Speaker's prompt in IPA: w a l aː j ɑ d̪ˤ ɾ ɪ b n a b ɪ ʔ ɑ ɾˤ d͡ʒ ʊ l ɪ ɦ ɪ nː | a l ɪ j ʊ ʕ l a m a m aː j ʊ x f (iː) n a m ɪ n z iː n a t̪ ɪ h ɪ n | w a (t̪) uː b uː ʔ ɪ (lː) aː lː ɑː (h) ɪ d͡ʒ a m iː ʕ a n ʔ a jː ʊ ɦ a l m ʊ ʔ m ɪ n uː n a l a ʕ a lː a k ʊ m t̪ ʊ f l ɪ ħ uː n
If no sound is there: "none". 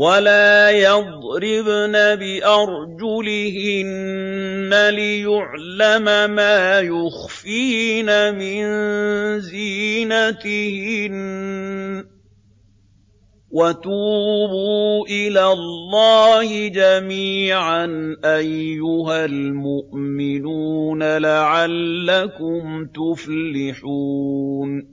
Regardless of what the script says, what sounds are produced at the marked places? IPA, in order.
iː, t̪, l, h

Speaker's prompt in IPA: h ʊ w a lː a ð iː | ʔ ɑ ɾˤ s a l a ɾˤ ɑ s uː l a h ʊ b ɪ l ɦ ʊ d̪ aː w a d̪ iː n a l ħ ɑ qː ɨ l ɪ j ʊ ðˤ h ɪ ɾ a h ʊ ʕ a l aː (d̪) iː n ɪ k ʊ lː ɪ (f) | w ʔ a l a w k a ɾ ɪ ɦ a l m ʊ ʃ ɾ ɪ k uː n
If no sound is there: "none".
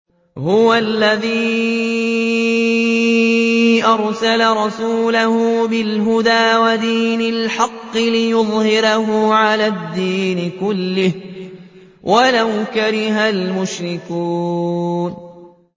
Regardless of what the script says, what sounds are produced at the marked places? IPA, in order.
d̪ː, h

